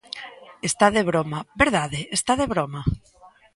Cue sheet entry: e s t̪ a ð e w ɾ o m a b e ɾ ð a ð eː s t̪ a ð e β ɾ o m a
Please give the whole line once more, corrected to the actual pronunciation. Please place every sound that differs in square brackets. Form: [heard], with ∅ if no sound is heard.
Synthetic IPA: e s t̪ a ð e [β] ɾ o m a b e ɾ ð a ð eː s t̪ a ð e β ɾ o m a